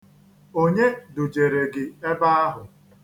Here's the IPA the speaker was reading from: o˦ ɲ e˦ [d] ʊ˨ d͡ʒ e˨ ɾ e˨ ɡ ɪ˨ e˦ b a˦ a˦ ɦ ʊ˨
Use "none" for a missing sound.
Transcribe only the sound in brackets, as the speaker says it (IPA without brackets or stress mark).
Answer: d